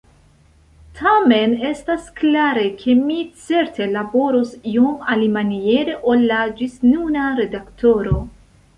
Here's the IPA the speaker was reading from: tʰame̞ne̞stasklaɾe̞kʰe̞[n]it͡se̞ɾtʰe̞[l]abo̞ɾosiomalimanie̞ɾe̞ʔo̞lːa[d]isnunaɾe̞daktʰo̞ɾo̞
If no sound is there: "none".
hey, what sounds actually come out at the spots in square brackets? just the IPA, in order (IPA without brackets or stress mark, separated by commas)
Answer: m, l, d͡ʒ